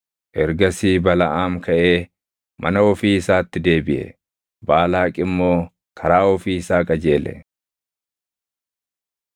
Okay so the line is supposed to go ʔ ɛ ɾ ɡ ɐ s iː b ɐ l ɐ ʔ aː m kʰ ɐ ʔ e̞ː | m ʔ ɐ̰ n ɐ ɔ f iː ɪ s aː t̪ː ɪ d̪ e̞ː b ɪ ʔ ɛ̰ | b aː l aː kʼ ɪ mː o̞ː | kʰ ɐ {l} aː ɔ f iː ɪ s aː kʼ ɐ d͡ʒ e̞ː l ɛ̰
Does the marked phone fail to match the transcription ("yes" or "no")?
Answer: yes